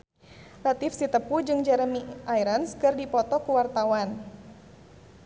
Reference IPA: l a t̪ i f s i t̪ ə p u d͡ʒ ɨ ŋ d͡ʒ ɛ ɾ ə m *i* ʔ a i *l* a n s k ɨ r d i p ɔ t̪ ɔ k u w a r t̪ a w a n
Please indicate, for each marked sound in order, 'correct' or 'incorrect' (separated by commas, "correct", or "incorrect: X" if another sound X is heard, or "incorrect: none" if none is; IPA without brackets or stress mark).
correct, incorrect: ɾ